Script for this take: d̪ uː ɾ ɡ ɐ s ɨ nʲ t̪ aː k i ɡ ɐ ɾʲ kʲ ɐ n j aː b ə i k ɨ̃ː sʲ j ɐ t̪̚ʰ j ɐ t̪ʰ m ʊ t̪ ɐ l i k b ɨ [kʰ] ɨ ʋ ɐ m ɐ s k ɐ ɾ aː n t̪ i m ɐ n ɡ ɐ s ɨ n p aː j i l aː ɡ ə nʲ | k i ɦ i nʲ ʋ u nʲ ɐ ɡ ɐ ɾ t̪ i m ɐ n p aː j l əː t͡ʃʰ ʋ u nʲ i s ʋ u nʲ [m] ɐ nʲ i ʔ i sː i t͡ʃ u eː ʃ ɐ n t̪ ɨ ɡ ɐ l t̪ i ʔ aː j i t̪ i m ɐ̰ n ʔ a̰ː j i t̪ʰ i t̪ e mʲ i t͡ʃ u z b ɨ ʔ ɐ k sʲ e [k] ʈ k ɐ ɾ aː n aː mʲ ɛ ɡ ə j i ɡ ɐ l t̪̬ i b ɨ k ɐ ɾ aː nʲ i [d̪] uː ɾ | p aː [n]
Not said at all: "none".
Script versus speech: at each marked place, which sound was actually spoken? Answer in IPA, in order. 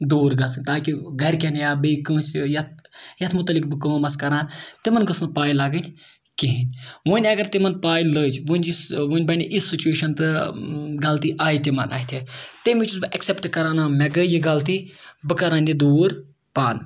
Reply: k, b, p, d̪, n

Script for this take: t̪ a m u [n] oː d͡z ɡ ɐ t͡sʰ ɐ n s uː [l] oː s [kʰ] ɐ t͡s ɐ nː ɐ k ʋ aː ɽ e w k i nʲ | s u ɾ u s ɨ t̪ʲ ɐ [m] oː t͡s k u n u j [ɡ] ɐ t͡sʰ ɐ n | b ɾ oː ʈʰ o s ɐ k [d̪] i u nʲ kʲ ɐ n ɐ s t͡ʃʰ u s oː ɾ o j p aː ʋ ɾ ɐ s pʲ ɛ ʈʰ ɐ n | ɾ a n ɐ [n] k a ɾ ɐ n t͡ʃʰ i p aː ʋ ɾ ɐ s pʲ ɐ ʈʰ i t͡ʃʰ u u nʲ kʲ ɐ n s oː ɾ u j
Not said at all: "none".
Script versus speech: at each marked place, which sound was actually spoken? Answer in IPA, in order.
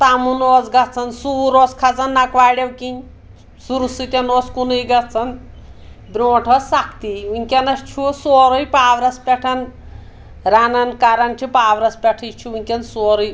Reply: n, ɾ, kʰ, n, ɡ, t̪, n

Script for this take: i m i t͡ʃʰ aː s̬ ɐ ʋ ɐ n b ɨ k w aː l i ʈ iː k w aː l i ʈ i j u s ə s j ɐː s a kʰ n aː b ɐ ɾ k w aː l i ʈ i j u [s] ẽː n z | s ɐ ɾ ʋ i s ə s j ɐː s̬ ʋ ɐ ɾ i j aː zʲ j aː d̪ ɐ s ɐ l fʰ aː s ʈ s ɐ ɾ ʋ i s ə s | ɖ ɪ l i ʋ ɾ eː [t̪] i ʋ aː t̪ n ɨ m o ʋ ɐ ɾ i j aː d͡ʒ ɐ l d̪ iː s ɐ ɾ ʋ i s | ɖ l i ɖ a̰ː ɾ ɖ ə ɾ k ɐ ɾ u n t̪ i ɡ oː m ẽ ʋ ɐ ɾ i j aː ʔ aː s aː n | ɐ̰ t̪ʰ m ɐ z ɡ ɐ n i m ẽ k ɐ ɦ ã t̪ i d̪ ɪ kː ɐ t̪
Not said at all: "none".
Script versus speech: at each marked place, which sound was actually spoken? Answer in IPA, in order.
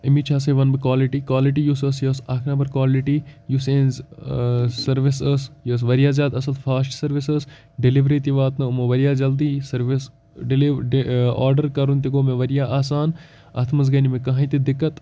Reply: s, t̪

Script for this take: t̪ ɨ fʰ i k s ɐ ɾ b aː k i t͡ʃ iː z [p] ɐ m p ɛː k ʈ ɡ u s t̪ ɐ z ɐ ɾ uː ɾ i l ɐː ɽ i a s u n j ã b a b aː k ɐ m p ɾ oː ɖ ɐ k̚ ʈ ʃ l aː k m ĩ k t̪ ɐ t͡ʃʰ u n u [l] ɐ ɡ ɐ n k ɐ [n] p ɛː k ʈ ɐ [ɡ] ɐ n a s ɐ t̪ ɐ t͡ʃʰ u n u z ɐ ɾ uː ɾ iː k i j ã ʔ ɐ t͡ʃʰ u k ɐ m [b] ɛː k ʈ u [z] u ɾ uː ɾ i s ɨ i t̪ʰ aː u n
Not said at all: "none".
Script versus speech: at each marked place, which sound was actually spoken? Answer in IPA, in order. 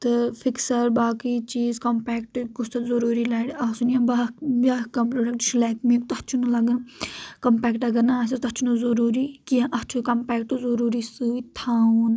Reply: k, l, m, ɡ, p, z

